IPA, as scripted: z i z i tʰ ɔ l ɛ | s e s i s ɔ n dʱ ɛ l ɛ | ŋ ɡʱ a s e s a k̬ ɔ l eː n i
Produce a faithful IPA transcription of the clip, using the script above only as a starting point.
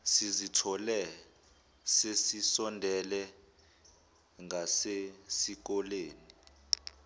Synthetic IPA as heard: s i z i tʰ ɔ l ɛ | s e s i s ɔ n dʱ ɛ l ɛ | ŋ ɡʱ a s e s i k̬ ɔ l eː n i

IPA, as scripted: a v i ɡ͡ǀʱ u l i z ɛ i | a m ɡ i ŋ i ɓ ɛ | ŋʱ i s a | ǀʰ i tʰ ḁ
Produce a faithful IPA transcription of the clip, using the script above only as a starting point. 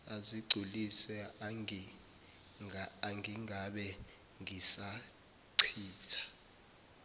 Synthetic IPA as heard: a z i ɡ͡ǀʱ u l i s ɛ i | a ŋ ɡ i ŋ a ɓ ɛ | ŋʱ i s a | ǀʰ iː tʰ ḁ

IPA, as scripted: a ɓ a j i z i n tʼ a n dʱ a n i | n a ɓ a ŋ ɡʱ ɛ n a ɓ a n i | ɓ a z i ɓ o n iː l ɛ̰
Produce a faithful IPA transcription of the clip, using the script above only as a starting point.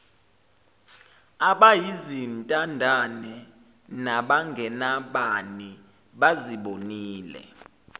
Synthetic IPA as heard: a ɓ a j i z i n tʼ a n dʱ a n ɛ | n a ɓ a ŋ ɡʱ ɛ n a ɓ a n i | ɓ a z i ɓ o n iː l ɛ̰

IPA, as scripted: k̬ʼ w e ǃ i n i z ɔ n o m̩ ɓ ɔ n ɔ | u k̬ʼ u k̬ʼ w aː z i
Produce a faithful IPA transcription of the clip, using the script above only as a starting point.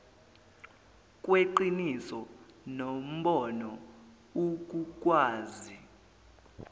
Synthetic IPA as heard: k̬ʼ w e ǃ i n i s ɔ n o m̩ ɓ ɔ n ɔ | u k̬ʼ u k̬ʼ w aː z i

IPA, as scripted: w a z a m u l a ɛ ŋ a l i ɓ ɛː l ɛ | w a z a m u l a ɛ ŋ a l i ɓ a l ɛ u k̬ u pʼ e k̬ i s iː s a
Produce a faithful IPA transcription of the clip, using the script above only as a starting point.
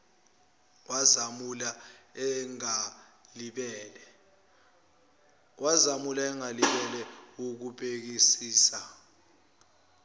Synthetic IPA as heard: w a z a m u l a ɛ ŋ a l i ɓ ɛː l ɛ | w a z a m u l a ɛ ŋ a l i ɓ ɛ l ɛ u k̬ u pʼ e k̬ i s iː s a

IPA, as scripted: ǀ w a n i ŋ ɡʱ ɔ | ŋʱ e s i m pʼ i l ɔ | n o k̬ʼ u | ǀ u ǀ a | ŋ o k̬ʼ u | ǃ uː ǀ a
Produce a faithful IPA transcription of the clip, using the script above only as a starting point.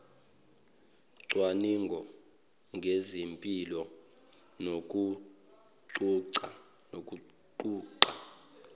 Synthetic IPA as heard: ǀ w a n i ŋ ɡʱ ɔ | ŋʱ e z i m pʼ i l ɔ | n o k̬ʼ u | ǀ u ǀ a | n o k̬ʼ u | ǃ uː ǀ a

